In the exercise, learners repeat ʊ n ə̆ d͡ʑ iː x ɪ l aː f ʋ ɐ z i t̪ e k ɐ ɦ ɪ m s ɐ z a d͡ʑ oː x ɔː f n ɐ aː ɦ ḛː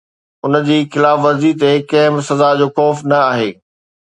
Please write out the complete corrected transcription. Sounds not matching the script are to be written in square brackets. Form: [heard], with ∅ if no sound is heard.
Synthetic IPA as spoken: ʊ n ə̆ d͡ʑ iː x ɪ l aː f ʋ ɐ z i t̪ e k ɐ ɦ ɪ m s ɐ z a d͡ʑ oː x ɔː f n ɐ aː ɦ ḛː